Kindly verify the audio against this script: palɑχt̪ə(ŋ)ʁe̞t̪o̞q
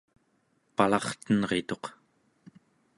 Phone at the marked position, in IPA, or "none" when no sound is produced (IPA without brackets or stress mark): n